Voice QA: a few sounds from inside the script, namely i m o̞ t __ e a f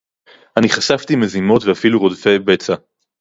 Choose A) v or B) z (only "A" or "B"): A